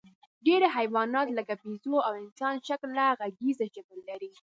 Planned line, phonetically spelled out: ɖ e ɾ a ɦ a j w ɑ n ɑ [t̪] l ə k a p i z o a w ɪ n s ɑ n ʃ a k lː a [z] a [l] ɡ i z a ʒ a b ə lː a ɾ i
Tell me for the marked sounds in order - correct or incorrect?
correct, incorrect: ɣ, incorrect: none

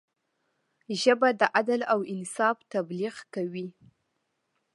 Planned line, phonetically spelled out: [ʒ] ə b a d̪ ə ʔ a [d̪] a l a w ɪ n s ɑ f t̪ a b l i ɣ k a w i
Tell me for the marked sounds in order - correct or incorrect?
correct, correct

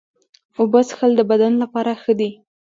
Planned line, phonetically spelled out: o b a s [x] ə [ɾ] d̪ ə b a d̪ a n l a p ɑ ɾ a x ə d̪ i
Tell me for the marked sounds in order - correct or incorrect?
correct, incorrect: l

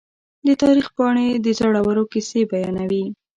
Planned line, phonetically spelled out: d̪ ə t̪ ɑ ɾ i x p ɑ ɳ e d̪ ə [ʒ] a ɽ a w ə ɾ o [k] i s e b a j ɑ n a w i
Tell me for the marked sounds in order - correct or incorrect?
incorrect: z, correct

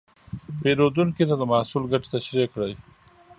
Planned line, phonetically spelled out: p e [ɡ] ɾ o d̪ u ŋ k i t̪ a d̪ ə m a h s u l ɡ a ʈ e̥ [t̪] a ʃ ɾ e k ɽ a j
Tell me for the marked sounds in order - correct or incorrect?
incorrect: none, correct

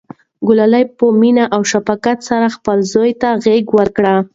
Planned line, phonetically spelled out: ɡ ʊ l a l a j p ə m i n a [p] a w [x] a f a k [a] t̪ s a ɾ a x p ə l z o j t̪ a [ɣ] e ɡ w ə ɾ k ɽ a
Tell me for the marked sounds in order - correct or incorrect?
incorrect: ʔ, incorrect: ʃ, correct, correct

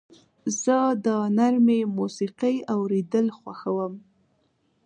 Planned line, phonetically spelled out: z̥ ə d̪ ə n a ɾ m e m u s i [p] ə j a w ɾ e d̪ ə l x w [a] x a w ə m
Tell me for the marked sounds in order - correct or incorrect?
incorrect: q, correct

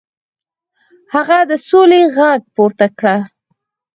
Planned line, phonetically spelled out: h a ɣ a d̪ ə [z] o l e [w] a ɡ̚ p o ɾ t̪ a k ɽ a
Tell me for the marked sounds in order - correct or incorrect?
incorrect: s, incorrect: ɣ

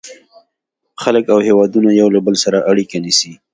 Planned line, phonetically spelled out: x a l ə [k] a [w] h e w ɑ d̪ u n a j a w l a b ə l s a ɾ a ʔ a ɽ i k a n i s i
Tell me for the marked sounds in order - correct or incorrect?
correct, correct

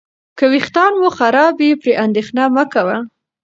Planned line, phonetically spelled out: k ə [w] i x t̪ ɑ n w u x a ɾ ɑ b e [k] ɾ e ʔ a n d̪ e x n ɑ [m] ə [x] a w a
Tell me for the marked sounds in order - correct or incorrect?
correct, incorrect: p, correct, incorrect: k

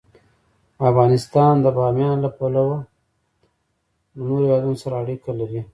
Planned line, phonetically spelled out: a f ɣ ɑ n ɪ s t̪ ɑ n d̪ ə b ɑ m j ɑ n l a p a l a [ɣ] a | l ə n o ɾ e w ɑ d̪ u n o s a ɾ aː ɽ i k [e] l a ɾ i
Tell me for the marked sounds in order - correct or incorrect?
incorrect: w, incorrect: a

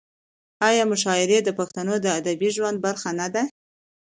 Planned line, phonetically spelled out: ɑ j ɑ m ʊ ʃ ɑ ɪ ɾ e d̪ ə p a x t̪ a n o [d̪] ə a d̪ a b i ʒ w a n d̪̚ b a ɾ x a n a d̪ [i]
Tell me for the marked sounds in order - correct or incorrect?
correct, incorrect: a

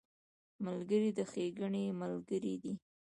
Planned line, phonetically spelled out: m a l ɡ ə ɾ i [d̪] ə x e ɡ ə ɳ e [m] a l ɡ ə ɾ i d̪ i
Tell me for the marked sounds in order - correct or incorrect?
correct, correct

